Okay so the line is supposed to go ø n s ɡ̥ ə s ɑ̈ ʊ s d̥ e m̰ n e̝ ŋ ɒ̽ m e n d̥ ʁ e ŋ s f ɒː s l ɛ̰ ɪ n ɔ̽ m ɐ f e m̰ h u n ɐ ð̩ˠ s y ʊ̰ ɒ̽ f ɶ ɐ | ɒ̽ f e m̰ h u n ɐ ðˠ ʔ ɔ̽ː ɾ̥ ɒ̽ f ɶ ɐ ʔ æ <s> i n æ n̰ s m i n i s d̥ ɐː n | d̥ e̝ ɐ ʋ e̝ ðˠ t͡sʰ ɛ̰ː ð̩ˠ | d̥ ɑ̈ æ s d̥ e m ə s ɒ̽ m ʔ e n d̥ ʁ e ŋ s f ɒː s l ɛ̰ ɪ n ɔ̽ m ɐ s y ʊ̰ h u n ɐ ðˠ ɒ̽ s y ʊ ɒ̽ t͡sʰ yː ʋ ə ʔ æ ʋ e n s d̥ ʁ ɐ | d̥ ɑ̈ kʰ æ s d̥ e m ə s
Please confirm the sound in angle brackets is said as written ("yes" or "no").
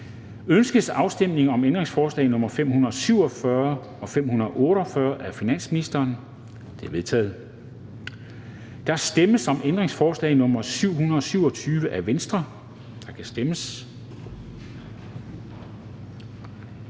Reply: no